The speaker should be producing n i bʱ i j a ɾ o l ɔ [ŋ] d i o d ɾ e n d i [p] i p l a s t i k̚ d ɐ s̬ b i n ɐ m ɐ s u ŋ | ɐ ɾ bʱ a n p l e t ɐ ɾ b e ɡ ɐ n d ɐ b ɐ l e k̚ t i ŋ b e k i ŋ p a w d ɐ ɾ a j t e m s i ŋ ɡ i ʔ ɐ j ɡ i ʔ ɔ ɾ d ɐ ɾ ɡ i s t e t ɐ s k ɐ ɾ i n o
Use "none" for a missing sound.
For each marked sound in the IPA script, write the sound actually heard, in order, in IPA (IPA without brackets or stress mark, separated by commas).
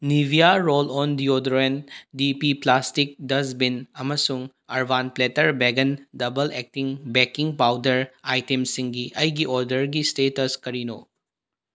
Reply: n, p